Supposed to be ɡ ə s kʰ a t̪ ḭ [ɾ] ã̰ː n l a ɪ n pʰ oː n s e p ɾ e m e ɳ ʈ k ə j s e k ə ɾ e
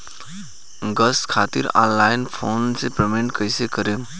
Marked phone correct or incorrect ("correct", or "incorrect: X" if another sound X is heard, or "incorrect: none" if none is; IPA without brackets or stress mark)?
correct